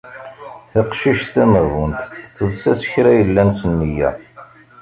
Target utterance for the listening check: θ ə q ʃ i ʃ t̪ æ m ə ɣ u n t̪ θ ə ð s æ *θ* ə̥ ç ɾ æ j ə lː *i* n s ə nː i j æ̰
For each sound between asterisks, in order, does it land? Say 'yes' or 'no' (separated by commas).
no, no